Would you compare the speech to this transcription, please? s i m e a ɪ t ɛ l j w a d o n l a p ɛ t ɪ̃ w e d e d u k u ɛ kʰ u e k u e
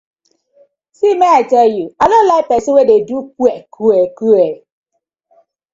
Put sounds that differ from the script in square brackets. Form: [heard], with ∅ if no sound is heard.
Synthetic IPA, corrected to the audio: s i m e a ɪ t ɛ l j [u] a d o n l a p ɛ [s] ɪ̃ w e d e d u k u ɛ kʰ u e k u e